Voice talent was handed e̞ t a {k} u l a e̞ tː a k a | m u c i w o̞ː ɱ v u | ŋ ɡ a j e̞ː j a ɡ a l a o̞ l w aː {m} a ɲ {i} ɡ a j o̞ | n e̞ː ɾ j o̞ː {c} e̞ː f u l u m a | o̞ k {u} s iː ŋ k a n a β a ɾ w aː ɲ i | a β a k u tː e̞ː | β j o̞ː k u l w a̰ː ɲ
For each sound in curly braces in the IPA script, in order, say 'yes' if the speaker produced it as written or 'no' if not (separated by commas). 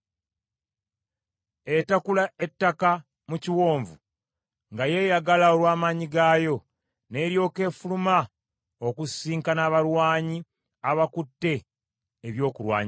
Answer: yes, yes, yes, no, yes